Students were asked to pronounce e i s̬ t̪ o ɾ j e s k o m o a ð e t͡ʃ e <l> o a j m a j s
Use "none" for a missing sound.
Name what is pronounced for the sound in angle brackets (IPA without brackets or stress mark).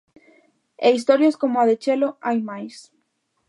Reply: l